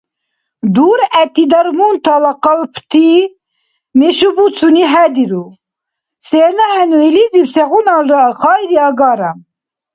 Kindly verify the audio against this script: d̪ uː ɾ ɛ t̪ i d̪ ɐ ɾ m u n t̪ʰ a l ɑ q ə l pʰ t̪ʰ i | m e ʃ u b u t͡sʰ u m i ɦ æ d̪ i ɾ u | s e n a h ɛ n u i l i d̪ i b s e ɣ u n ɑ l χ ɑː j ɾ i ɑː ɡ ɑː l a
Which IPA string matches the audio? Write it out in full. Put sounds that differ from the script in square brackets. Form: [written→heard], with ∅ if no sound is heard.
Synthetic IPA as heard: d̪ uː ɾ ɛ t̪ i d̪ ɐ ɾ m u n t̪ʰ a l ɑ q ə l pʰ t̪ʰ i | m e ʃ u b u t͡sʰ u [m→n] i ɦ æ d̪ i ɾ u | s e n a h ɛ n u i l i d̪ i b s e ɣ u n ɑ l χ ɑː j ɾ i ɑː ɡ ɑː [l→ɾ] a